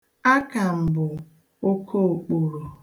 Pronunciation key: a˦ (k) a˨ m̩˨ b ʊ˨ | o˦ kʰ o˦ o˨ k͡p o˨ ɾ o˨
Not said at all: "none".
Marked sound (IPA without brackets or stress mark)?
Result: k